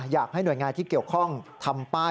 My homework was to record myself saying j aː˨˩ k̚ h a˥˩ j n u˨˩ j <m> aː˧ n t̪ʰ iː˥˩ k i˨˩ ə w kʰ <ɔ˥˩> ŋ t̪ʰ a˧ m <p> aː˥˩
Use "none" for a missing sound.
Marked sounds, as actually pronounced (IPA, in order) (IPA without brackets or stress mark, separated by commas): ŋ, ɔ˥˩, p